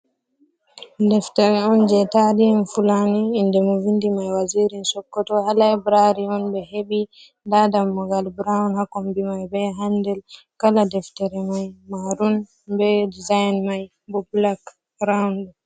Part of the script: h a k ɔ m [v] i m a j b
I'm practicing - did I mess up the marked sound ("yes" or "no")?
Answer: yes